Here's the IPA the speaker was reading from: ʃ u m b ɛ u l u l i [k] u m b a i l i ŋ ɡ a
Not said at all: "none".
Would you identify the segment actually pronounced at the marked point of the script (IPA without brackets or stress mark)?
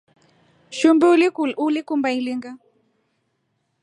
k